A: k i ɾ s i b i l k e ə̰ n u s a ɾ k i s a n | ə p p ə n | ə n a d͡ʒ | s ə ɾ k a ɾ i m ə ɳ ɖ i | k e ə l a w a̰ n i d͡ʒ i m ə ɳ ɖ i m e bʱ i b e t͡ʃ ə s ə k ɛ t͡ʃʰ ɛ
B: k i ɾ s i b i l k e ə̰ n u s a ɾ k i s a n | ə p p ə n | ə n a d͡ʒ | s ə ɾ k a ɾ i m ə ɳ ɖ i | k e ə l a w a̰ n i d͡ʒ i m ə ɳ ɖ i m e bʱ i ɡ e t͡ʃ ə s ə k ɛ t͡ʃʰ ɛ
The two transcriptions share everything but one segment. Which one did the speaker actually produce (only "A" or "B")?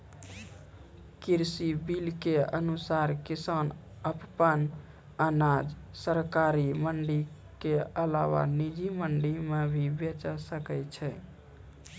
A